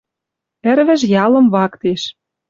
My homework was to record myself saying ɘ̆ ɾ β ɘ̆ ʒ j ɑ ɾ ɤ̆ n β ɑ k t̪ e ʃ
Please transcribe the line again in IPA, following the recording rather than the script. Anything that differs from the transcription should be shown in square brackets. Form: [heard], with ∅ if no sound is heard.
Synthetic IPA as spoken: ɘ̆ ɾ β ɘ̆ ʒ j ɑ [l] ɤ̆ [m] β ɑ k t̪ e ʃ